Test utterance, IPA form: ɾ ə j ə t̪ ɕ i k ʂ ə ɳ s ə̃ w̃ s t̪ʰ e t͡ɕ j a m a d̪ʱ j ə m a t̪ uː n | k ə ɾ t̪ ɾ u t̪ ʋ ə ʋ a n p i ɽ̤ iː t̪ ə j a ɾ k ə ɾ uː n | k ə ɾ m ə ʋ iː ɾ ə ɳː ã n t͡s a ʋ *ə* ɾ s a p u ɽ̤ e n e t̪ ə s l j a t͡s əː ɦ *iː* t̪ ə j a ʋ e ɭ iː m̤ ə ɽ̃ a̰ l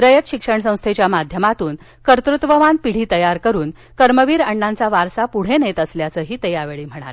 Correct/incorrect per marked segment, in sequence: incorrect, correct

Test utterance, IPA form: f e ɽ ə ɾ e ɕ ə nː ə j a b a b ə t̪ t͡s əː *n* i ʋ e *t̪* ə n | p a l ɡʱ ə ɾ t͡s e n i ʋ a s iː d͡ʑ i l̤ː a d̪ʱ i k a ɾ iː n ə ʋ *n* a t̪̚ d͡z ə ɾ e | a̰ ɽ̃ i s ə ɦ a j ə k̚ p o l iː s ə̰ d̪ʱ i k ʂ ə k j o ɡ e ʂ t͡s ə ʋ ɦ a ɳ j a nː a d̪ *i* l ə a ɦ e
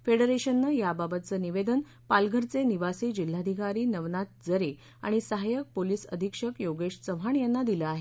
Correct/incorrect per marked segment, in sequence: correct, incorrect, correct, correct

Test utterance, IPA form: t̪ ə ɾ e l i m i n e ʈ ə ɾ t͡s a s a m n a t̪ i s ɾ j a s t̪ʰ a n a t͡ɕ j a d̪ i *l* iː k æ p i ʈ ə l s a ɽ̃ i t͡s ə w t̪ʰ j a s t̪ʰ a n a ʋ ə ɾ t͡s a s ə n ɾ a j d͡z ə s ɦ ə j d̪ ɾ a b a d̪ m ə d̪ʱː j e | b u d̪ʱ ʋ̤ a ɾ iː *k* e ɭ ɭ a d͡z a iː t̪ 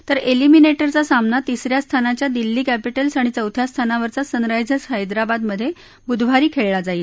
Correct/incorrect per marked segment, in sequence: incorrect, incorrect

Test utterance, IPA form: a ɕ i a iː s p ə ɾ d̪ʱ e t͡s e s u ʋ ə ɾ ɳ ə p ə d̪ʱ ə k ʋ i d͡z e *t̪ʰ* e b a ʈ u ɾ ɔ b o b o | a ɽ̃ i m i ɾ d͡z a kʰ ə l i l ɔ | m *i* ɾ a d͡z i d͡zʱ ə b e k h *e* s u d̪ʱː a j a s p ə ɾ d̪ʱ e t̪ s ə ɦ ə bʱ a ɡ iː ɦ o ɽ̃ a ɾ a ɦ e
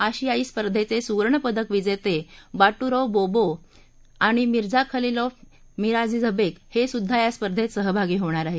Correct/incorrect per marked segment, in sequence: incorrect, correct, correct

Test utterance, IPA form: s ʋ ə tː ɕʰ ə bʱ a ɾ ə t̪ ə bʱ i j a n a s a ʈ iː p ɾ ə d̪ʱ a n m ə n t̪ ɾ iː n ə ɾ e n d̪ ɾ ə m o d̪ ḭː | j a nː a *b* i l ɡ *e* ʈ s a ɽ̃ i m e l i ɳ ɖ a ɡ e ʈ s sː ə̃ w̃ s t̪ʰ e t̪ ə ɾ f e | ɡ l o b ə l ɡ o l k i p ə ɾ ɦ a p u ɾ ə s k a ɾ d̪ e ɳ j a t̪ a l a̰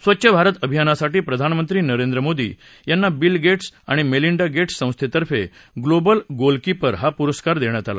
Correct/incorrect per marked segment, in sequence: correct, correct

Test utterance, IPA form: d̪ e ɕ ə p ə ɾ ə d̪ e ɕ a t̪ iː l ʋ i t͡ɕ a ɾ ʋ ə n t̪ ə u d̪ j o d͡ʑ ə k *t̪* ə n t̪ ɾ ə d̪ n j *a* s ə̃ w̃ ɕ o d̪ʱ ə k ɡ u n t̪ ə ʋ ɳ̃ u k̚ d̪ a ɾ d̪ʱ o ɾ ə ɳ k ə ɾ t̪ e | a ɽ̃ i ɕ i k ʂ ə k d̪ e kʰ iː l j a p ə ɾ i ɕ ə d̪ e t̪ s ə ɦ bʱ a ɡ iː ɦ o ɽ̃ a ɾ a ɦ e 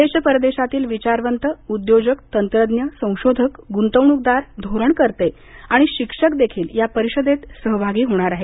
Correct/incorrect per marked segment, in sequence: correct, incorrect

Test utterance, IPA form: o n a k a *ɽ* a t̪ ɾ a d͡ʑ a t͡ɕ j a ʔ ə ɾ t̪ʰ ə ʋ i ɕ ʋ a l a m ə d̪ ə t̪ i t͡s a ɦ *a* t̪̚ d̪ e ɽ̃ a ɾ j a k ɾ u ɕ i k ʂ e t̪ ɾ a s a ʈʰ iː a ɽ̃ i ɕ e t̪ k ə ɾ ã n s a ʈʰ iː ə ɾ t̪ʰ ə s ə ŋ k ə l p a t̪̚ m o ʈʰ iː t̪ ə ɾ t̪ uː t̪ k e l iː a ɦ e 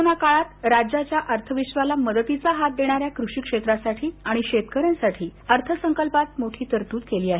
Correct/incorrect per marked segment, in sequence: incorrect, correct

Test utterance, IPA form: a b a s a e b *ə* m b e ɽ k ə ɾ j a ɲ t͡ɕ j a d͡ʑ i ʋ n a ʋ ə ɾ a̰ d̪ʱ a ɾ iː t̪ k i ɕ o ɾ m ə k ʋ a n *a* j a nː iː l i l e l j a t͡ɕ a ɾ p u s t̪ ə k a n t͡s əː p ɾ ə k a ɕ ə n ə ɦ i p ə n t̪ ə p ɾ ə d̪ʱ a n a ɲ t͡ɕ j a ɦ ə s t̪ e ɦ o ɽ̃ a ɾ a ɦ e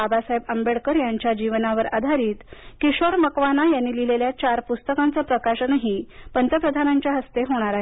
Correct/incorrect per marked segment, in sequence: correct, correct

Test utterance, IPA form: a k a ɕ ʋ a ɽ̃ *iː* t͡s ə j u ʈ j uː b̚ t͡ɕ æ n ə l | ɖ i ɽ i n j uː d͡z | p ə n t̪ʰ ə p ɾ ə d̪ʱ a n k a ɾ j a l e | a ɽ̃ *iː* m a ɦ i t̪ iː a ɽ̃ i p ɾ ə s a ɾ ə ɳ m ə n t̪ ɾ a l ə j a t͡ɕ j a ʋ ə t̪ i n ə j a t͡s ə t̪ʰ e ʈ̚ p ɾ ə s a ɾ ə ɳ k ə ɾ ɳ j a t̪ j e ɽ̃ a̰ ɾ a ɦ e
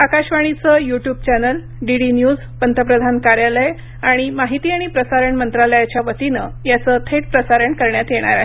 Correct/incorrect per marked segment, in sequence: incorrect, incorrect

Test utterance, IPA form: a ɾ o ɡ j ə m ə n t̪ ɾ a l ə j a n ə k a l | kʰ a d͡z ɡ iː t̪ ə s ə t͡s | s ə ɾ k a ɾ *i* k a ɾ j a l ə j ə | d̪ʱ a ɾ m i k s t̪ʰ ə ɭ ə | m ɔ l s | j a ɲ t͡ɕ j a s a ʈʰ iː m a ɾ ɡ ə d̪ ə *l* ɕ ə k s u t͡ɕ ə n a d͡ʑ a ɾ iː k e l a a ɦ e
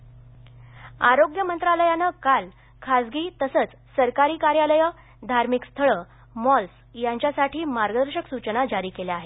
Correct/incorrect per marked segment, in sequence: incorrect, incorrect

